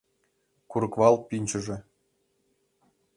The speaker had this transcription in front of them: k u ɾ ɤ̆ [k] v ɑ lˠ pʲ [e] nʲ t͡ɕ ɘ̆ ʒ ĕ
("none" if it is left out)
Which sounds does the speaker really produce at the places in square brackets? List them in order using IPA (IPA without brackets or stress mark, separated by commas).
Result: k, i